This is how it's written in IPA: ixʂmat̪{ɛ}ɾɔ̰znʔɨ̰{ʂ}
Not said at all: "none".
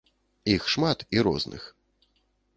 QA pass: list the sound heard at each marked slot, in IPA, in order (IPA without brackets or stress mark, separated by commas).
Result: i, x